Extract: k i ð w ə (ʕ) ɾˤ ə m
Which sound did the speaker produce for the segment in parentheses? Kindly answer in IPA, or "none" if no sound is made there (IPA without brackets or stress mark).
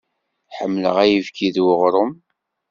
ʁ